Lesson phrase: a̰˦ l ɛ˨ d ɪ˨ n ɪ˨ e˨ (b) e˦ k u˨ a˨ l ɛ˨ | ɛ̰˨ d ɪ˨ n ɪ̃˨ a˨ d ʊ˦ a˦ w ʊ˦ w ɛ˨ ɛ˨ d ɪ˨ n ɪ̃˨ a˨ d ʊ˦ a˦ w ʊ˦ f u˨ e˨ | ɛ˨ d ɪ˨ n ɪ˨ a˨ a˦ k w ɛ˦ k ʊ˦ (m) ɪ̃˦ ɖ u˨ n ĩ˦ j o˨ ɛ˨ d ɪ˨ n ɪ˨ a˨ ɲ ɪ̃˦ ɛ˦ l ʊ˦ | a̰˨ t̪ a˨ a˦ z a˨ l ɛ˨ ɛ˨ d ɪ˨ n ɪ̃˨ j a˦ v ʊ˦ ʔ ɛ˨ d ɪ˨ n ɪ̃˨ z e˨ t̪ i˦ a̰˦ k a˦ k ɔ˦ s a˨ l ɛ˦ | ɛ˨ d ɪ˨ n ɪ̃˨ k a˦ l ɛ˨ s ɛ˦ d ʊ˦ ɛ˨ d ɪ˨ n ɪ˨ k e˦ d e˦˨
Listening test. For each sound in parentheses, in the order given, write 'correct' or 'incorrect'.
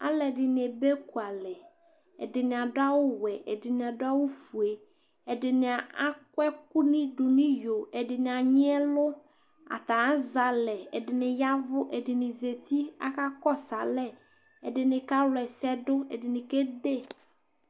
correct, incorrect

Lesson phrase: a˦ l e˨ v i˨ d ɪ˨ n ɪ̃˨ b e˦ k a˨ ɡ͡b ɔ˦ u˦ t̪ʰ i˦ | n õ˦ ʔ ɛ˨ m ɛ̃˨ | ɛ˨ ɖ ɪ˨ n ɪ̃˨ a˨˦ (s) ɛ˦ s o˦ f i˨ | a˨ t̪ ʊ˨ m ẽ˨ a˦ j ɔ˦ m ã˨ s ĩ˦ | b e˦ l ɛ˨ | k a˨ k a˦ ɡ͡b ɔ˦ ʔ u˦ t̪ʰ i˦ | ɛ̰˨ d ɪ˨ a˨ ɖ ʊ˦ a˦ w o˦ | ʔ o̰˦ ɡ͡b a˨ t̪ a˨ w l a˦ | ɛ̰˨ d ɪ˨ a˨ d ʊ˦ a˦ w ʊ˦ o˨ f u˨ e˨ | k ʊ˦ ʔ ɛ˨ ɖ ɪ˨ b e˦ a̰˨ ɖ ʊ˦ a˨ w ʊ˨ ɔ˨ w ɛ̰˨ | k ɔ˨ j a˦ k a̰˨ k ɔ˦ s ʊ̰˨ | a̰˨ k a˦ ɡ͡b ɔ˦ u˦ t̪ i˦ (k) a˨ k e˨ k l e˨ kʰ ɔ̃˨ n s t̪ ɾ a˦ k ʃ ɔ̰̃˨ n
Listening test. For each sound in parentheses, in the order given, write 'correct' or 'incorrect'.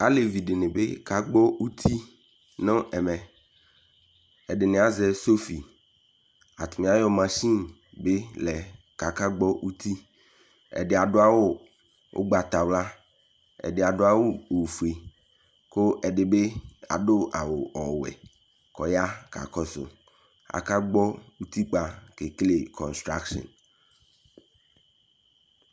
incorrect, incorrect

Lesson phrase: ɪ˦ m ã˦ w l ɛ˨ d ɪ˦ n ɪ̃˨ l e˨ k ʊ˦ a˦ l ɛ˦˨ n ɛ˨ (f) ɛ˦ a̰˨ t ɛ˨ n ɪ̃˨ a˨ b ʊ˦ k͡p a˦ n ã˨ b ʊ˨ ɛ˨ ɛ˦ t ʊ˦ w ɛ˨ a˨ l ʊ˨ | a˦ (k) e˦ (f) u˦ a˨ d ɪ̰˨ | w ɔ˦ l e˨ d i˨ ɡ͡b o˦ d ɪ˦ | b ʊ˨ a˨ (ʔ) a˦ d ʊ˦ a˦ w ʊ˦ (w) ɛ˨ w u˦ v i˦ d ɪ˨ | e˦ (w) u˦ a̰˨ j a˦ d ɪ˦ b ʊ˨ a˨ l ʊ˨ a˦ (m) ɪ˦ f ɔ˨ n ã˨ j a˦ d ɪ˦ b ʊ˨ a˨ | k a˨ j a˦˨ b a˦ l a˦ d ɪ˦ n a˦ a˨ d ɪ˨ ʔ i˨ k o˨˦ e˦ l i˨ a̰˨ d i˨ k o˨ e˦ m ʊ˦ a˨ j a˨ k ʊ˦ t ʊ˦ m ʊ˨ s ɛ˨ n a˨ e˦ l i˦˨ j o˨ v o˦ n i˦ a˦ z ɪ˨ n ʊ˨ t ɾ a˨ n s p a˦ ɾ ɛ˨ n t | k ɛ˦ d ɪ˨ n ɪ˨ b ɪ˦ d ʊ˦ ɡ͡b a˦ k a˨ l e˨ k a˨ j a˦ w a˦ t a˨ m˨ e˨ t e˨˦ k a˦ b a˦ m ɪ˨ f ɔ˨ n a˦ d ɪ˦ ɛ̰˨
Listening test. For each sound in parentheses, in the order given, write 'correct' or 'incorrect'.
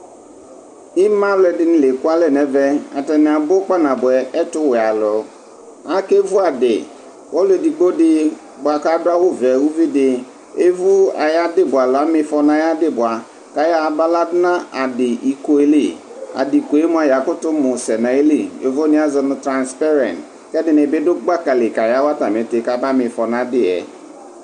incorrect, correct, incorrect, incorrect, incorrect, incorrect, correct

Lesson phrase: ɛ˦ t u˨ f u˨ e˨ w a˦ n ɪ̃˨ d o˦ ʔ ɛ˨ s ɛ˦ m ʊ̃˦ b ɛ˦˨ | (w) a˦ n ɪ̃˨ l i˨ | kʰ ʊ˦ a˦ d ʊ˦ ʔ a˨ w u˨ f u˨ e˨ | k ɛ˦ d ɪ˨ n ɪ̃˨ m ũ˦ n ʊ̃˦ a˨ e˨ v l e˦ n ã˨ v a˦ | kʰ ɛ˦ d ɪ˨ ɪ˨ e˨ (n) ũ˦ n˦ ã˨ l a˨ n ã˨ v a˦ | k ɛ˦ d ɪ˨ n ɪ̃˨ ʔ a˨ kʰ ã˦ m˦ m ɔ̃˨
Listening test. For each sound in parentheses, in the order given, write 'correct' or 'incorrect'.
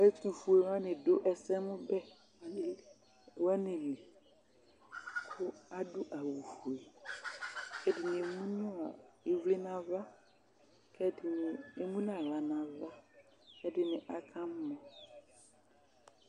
correct, incorrect

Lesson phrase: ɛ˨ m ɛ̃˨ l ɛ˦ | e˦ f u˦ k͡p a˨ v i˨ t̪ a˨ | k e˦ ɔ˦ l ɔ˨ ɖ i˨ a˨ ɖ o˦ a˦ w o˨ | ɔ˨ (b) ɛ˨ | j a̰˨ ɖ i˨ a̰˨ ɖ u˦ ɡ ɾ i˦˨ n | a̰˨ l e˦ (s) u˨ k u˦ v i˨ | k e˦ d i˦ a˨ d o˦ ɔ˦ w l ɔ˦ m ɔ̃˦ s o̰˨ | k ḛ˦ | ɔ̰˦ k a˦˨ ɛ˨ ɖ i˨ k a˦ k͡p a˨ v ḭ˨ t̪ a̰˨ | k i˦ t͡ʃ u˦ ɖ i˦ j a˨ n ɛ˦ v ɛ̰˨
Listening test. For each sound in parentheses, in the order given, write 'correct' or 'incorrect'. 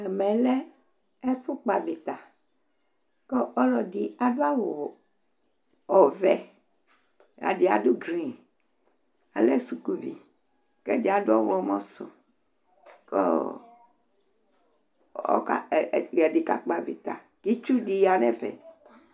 incorrect, correct

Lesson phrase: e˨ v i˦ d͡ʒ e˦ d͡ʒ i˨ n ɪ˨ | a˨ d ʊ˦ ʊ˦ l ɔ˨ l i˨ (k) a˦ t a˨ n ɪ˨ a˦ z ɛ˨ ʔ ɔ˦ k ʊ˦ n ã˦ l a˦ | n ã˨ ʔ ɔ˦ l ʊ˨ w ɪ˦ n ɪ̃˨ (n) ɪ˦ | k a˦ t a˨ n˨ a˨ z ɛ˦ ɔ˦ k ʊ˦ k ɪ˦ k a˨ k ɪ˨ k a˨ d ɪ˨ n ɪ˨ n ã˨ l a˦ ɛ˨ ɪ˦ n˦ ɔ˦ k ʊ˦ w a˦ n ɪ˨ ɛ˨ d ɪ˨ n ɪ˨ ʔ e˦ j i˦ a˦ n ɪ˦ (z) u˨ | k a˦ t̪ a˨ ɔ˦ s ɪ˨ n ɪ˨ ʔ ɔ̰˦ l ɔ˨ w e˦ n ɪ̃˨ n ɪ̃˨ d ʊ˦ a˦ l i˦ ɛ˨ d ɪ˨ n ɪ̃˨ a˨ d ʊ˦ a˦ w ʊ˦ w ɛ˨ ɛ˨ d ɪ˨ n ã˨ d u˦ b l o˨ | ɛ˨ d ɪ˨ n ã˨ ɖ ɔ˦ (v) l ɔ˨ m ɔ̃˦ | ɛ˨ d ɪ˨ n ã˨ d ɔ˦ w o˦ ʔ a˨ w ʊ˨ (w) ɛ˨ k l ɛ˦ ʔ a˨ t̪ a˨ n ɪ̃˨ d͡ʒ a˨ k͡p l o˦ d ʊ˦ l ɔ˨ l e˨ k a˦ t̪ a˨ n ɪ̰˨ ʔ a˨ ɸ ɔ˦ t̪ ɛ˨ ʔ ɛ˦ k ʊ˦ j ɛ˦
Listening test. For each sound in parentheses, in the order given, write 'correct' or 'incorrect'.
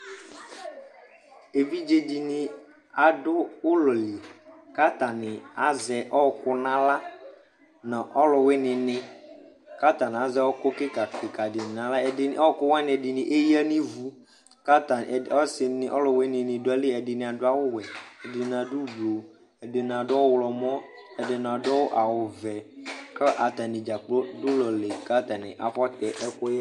correct, correct, incorrect, incorrect, incorrect

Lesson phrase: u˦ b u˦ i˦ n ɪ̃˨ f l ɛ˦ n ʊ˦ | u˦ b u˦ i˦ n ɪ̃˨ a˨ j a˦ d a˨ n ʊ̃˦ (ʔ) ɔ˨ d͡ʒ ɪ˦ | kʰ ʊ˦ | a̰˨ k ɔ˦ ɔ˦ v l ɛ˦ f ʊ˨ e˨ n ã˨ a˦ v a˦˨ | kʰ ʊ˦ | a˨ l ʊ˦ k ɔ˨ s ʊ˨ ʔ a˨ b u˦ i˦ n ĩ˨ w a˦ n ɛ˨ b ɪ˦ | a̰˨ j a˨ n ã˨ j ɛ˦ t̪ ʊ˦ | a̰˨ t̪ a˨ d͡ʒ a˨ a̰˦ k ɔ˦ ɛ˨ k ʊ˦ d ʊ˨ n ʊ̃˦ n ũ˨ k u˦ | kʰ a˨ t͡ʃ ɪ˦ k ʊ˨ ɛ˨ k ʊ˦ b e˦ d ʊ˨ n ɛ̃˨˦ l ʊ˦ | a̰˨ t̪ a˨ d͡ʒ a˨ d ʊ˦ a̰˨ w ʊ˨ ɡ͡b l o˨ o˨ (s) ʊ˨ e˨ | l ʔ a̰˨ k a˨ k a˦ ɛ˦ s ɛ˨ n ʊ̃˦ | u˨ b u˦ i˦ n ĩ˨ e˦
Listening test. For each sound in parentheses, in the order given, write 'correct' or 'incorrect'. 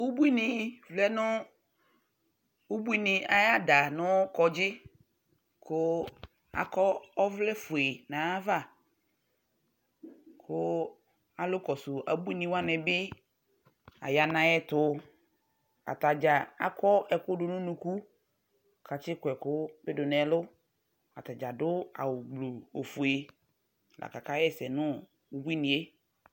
incorrect, incorrect

